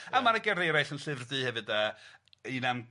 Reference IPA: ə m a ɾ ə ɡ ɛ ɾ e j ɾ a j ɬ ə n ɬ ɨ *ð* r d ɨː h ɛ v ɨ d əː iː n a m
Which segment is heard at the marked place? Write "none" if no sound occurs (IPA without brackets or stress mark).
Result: v